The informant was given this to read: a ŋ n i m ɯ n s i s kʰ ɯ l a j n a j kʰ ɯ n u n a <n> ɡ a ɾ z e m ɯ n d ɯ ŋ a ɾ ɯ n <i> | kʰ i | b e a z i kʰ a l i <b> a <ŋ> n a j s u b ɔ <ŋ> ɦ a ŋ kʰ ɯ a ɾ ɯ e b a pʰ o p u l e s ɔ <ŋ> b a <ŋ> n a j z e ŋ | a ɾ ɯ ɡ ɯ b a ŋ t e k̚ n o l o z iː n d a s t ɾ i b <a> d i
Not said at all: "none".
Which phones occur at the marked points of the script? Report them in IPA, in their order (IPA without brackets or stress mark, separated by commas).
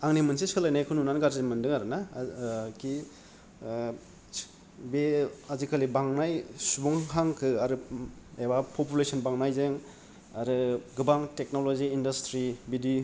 n, a, b, ŋ, ŋ, n, ŋ, i